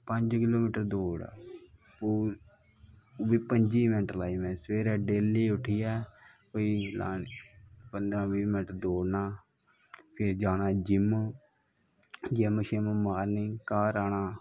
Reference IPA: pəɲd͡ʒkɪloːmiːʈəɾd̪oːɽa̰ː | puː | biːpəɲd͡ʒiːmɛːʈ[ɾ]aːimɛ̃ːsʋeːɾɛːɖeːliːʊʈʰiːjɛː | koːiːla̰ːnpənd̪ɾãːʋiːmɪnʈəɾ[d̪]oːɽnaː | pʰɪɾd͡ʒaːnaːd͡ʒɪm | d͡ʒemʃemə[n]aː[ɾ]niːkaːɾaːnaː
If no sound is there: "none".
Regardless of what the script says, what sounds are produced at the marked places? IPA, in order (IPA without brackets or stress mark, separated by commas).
l, d̪, m, ɾ